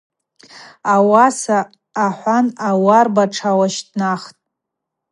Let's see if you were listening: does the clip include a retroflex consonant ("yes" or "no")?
yes